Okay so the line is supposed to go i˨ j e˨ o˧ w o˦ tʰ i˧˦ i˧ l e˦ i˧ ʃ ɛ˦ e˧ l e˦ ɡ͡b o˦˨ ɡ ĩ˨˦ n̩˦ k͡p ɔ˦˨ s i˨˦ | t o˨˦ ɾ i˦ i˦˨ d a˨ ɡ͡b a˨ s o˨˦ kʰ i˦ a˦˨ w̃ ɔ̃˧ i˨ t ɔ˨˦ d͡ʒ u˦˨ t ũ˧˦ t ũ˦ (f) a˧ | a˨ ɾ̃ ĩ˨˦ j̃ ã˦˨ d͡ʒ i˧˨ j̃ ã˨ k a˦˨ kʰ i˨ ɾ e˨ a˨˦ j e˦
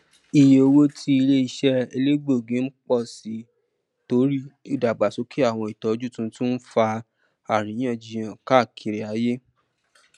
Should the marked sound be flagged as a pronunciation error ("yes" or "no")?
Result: no